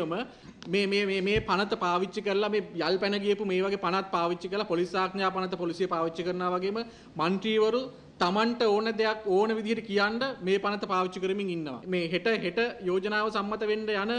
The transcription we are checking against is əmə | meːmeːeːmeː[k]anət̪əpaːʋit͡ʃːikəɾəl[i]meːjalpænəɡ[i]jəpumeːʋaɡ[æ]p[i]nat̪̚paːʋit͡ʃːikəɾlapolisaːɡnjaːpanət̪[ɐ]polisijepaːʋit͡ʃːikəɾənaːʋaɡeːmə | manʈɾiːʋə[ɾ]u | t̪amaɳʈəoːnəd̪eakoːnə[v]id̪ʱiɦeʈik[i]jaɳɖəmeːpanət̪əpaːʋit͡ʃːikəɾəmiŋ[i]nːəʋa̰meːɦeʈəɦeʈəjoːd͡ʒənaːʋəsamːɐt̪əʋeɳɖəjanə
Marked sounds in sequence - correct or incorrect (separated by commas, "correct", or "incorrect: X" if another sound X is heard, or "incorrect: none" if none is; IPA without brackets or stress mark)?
incorrect: p, incorrect: a, correct, incorrect: e, incorrect: a, incorrect: ə, correct, incorrect: ʋ, correct, correct